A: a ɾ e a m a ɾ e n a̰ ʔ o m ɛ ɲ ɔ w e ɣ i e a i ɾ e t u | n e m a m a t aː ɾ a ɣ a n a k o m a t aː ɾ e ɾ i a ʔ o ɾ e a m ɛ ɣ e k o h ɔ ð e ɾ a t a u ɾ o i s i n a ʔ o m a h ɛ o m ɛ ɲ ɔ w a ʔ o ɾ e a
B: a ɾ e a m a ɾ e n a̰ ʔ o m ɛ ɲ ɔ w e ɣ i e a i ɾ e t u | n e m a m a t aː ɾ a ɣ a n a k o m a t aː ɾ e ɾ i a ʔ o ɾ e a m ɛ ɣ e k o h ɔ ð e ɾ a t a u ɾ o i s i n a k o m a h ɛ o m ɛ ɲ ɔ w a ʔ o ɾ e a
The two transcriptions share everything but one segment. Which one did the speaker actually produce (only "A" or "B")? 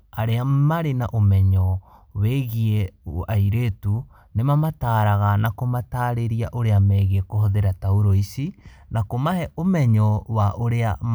B